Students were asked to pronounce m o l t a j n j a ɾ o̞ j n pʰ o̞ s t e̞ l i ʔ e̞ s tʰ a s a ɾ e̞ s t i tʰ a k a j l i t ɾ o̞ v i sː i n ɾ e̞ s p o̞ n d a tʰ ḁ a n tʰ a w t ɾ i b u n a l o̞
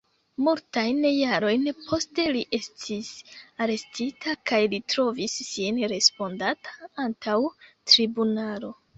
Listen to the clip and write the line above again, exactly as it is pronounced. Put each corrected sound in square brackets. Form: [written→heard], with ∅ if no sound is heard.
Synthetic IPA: m [o→u] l t a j n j a ɾ o̞ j n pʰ o̞ s t e̞ l i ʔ e̞ s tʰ [a→i] s a ɾ e̞ s t i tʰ a k a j l i t ɾ o̞ v i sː i n ɾ e̞ s p o̞ n d a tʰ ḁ a n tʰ a w t ɾ i b u n a l o̞